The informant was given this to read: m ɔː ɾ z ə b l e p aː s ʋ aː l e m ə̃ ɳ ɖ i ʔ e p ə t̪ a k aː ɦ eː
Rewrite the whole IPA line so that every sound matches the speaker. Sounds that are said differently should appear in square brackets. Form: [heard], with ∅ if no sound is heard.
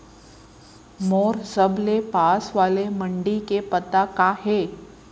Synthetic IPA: m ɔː ɾ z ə b l e p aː s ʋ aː l e m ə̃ ɳ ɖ i [k] e p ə t̪ a k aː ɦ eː